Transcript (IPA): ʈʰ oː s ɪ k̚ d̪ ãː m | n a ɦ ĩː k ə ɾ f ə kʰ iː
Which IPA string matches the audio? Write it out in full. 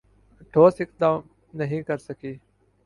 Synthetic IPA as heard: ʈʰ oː s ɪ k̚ d̪ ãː m | n ə ɦ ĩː k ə ɾ s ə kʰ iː